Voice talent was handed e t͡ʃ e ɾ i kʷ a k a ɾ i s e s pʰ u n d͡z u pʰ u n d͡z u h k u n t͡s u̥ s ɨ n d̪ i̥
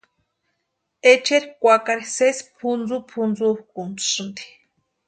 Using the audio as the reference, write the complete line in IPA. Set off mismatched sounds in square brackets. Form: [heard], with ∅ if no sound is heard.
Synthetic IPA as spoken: e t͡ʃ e ɾ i kʷ a k a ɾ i s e s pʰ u n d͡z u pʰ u n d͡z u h k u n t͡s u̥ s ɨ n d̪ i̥